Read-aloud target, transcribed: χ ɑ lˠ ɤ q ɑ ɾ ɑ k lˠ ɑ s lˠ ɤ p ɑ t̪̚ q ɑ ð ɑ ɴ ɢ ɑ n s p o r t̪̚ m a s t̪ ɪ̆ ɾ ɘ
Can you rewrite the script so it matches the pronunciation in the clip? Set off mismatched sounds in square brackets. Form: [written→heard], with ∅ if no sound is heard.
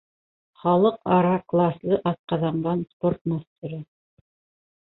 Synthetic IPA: χ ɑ lˠ ɤ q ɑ ɾ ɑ k lˠ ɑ s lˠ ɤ [p→ʔ] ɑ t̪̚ q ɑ ð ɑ ɴ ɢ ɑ n s p o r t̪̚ m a s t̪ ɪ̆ ɾ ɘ